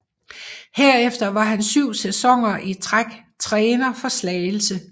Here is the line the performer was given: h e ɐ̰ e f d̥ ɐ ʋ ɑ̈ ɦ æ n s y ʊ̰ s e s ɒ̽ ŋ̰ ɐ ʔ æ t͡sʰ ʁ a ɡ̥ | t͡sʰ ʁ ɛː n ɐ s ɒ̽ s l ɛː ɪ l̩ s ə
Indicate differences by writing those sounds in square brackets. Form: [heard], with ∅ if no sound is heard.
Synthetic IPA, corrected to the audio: h e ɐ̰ e f d̥ ɐ ʋ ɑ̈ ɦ æ n s y ʊ̰ s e s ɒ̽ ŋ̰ ɐ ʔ [i] t͡sʰ ʁ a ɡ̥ | t͡sʰ ʁ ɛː n ɐ [f] ɒ̽ s l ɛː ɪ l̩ s ə